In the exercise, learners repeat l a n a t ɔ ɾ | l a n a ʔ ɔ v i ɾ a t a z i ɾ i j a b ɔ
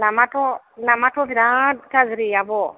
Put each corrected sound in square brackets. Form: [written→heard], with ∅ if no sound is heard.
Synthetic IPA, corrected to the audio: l a [n→m] a t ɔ [ɾ→∅] | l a [n→m] a [ʔ→t] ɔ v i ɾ a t a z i ɾ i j a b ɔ